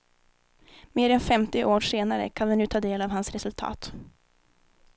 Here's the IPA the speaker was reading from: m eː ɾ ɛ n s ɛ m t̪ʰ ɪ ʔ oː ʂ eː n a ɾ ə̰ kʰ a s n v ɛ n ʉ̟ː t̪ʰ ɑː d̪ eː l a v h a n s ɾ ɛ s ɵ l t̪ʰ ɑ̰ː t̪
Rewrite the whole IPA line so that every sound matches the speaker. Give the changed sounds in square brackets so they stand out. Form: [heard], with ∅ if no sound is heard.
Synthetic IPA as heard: m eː ɾ ɛ n [f] ɛ m [t̪] ɪ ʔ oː ʂ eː n a ɾ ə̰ kʰ a [∅] n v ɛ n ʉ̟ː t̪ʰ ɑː d̪ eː l a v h a n s ɾ ɛ s ɵ l t̪ʰ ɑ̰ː t̪